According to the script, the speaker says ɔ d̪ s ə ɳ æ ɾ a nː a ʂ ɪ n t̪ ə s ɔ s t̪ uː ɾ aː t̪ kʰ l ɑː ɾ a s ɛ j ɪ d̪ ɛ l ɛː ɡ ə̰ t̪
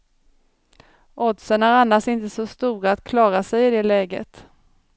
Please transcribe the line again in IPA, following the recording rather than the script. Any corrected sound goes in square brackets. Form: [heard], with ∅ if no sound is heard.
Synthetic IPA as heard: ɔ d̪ s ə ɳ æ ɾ a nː a ʂ ɪ n t̪ ə s ɔ s t̪ uː ɾ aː t̪ kʰ l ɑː ɾ a s ɛ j ɪ d̪ ɛ l ɛː ɡ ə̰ t̪